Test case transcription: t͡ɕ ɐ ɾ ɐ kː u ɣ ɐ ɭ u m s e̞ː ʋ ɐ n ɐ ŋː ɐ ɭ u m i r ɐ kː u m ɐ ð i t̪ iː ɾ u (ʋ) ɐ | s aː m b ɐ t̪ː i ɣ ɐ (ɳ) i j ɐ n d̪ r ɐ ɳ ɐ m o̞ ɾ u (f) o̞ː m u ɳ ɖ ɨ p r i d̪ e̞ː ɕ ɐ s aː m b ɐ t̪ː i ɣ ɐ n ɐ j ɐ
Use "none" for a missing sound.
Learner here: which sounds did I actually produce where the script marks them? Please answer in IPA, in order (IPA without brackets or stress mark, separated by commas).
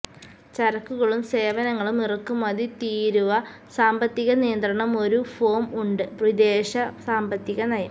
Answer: ʋ, n, f